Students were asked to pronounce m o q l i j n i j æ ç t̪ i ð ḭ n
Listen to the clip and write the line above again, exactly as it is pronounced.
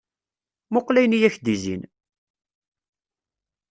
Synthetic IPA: m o q l æ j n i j æ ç d̪ i z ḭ n